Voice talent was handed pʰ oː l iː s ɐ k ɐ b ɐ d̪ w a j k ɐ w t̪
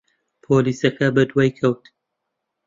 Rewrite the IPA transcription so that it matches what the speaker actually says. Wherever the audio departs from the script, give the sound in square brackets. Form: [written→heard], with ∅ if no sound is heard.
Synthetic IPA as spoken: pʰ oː l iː s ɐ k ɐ b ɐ d̪ w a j [k→kʰ] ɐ w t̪